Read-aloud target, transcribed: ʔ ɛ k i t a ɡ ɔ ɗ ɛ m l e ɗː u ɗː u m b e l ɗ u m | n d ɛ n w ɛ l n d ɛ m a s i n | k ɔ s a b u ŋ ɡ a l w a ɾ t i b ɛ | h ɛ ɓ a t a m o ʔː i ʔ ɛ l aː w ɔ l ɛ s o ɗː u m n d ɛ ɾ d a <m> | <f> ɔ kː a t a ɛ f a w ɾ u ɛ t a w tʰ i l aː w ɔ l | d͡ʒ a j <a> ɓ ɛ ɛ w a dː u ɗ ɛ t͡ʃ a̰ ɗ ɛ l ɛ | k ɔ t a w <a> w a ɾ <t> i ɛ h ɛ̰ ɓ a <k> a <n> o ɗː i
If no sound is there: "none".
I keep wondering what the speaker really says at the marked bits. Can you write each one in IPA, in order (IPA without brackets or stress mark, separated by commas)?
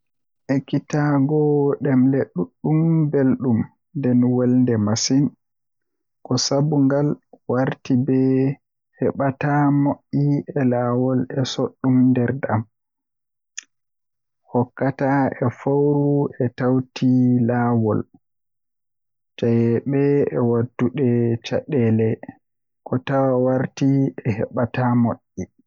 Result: m, h, ɛ, a, t, t, m